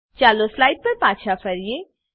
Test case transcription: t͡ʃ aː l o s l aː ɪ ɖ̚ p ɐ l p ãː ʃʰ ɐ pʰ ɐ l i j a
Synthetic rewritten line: t͡ʃ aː l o s l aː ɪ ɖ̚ p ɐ ɾ p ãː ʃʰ a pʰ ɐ ɾ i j e